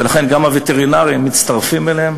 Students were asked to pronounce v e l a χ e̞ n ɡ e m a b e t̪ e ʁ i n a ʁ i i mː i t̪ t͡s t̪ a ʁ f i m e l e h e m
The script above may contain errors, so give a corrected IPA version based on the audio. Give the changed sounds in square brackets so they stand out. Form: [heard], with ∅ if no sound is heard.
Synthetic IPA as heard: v e l a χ e̞ n ɡ [a] m a [v] e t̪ e ʁ i n a ʁ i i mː i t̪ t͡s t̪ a ʁ f i m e l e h e m